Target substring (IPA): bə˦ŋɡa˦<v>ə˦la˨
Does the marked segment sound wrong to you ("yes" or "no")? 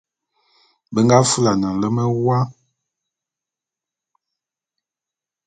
yes